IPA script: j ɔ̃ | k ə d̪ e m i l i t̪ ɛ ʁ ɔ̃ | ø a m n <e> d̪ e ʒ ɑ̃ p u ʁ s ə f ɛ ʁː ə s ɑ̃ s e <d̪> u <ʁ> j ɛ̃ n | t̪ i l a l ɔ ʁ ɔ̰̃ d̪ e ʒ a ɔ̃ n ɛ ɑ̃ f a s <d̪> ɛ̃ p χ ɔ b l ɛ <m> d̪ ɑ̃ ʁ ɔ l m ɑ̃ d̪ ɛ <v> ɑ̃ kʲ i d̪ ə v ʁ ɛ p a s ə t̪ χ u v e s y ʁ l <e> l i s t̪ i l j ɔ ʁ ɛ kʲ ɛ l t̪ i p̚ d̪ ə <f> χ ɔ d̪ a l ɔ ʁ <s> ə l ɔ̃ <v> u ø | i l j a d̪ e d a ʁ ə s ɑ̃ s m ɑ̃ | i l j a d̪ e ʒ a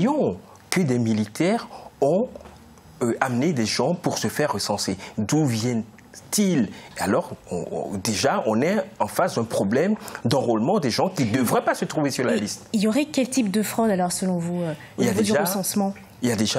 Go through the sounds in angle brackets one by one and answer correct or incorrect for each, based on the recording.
correct, correct, incorrect: v, correct, correct, incorrect: ʒ, incorrect: a, correct, correct, correct

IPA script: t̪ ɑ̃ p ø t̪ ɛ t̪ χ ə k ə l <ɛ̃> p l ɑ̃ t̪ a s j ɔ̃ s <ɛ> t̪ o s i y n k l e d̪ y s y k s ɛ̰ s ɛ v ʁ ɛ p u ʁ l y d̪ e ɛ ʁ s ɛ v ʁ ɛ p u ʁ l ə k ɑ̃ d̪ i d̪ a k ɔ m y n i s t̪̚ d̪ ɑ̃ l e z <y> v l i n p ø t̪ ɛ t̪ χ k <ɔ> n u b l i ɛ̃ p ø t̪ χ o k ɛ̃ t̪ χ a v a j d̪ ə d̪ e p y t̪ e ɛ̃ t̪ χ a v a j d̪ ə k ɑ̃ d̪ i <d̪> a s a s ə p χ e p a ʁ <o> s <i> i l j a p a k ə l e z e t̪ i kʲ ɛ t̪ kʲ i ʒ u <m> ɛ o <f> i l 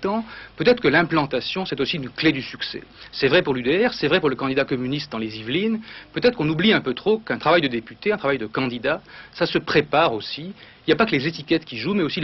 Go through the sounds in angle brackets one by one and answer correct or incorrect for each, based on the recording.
correct, correct, incorrect: i, incorrect: ɔ̃, correct, correct, correct, correct, incorrect: s

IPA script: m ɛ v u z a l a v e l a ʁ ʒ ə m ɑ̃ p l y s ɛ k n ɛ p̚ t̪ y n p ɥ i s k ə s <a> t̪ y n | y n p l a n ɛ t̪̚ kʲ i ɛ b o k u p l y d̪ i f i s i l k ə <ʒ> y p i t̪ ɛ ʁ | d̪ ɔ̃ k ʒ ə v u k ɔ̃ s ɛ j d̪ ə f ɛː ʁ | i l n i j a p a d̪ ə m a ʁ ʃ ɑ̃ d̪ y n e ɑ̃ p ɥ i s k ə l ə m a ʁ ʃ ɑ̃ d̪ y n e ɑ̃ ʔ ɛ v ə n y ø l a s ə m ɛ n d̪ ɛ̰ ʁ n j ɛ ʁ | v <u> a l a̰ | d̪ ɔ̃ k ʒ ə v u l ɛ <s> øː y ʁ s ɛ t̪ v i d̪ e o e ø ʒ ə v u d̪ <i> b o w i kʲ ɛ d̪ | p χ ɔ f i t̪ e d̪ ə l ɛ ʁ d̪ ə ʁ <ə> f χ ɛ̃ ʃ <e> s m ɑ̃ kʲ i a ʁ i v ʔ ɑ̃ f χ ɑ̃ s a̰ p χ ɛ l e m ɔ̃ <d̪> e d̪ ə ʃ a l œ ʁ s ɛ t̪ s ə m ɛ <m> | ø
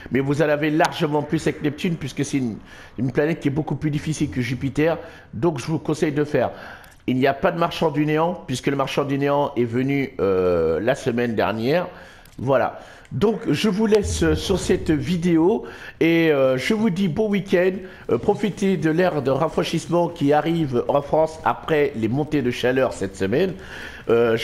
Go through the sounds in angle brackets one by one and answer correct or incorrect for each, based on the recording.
incorrect: ɛ, correct, incorrect: w, correct, correct, incorrect: a, incorrect: i, incorrect: t̪, incorrect: n

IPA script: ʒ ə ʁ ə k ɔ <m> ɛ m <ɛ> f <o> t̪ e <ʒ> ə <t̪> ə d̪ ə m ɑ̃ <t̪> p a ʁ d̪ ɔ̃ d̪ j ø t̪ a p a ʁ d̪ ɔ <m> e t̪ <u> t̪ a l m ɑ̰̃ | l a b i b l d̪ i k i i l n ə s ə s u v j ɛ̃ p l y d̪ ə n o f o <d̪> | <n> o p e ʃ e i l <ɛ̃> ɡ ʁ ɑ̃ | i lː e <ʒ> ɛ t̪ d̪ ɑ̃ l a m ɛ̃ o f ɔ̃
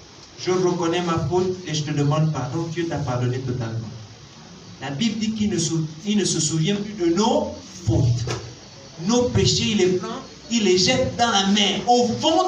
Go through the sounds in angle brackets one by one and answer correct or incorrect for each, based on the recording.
incorrect: n, incorrect: a, correct, correct, correct, incorrect: d̪, incorrect: n, incorrect: ɔ, incorrect: t̪, correct, incorrect: ɛ, correct

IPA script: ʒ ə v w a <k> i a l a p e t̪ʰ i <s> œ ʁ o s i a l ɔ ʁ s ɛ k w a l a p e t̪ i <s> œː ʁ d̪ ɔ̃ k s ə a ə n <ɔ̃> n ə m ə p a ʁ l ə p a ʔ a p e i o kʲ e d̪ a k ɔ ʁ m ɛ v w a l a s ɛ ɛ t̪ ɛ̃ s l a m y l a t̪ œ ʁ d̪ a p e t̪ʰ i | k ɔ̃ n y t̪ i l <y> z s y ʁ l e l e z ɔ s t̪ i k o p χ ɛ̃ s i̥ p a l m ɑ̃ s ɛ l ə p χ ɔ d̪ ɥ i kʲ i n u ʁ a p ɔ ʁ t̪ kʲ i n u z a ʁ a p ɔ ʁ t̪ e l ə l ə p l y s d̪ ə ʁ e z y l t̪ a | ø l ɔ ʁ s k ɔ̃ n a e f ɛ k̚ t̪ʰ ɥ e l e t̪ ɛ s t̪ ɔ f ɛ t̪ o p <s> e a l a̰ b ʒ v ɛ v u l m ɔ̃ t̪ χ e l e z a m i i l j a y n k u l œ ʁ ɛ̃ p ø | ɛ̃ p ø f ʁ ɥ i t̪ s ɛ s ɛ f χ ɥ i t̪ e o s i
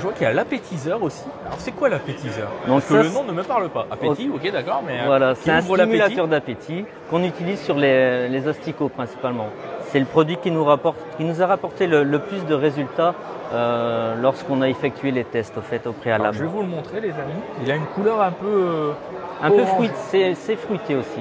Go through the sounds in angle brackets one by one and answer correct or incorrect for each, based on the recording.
correct, incorrect: z, incorrect: z, correct, incorrect: i, incorrect: χ

